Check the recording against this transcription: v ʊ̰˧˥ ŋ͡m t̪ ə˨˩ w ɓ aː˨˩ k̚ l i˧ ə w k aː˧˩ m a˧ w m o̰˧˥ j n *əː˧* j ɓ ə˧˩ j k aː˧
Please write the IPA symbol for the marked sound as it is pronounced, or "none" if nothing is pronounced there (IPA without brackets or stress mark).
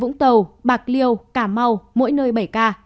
əː˧